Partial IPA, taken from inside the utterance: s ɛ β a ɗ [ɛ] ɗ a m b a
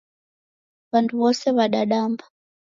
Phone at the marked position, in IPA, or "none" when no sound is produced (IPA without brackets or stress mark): a